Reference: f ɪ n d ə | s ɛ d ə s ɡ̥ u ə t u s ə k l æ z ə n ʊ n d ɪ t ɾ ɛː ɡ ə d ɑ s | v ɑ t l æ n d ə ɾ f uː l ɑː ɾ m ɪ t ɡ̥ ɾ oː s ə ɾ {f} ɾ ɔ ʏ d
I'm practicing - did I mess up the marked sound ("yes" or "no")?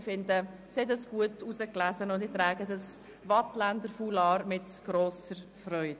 no